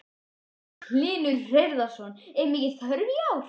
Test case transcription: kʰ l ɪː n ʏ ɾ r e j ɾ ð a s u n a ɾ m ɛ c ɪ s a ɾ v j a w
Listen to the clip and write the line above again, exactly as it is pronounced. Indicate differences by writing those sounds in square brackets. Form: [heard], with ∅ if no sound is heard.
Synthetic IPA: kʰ l ɪː n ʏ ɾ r e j ɾ ð a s [ɔ] n [ɛ] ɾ m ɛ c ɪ [θ] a ɾ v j a w